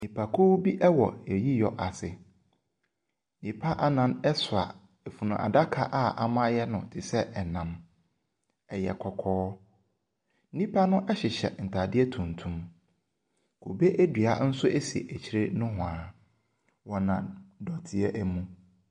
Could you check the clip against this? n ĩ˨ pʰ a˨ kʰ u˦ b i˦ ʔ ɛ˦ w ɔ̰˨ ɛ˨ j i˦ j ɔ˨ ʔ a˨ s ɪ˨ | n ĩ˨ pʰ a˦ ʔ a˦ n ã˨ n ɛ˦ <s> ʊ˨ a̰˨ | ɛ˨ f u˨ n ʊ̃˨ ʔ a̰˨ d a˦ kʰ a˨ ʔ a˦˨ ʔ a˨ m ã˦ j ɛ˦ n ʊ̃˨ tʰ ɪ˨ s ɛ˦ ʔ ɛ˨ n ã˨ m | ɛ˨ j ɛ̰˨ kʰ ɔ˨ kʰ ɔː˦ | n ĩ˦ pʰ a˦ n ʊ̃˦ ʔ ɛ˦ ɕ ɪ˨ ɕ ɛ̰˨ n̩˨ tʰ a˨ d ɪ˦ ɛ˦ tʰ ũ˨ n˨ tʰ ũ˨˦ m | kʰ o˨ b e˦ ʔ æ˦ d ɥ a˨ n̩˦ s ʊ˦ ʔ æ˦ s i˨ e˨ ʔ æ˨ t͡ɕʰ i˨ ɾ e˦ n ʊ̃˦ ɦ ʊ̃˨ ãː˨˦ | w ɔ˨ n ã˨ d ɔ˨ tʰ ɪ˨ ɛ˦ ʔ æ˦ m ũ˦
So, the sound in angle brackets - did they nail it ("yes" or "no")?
yes